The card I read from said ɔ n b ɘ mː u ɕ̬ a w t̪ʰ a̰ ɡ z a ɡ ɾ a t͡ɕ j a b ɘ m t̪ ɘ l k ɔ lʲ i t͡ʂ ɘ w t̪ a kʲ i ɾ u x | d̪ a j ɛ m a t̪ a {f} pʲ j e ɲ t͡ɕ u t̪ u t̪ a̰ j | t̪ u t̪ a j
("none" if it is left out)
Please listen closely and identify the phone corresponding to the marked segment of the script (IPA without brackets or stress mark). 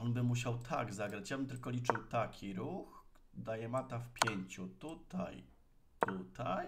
f